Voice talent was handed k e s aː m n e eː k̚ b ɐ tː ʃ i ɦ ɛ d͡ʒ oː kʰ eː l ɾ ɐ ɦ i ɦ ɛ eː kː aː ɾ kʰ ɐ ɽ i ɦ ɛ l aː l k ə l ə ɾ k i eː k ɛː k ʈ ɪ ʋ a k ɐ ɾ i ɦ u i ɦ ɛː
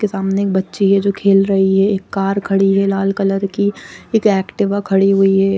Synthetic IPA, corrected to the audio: k e s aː m n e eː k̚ b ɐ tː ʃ i ɦ ɛ d͡ʒ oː kʰ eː l ɾ ɐ ɦ i ɦ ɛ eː kː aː ɾ kʰ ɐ ɽ i ɦ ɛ l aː l k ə l ə ɾ k i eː k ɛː k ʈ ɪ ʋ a kʰ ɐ ɽ i ɦ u i ɦ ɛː